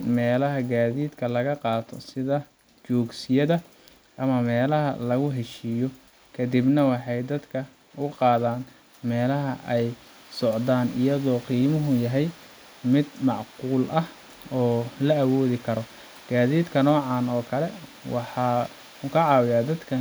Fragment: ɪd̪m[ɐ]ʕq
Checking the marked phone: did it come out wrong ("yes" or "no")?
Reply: yes